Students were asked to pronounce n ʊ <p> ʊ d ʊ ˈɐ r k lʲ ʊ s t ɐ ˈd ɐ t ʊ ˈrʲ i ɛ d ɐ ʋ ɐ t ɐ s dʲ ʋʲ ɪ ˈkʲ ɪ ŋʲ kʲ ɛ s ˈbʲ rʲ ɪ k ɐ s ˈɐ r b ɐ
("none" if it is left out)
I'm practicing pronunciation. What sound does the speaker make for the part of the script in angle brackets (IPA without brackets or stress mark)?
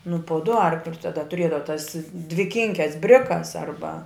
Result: p